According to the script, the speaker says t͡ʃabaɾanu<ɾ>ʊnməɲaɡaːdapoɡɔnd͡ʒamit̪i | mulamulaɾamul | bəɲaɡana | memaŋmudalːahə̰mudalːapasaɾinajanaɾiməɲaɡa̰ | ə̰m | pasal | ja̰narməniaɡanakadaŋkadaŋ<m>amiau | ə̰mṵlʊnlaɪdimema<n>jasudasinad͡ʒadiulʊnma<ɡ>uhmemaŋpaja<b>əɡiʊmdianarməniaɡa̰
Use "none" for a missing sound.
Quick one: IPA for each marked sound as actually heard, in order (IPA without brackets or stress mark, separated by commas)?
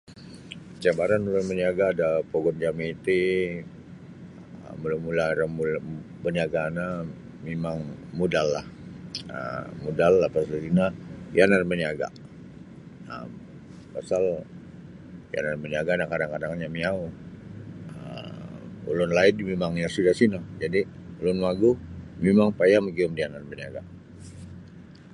l, ɲ, ŋ, ɡ, m